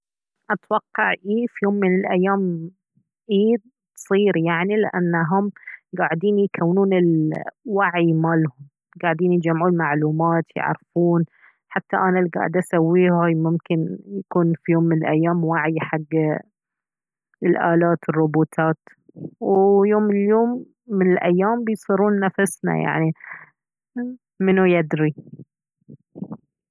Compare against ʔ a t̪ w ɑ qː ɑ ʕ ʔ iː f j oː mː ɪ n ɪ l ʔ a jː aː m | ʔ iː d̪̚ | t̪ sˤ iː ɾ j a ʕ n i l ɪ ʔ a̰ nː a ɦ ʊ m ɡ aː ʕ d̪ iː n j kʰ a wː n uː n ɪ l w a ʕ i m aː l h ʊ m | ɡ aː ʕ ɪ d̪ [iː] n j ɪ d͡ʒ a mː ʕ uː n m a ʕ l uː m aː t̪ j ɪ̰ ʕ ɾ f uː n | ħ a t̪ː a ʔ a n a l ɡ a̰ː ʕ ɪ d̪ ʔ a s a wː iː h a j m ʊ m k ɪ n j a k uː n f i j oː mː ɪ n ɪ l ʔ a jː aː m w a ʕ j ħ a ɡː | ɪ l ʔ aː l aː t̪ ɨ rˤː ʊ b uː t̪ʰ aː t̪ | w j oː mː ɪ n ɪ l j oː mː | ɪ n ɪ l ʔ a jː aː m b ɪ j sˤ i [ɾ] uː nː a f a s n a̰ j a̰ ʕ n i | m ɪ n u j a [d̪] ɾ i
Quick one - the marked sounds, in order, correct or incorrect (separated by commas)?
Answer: correct, correct, correct